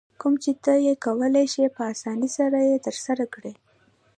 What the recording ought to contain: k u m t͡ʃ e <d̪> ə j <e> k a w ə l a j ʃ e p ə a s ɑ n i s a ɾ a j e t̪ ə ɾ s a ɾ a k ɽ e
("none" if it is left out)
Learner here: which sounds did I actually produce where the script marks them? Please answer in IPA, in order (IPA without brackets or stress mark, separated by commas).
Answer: t̪, e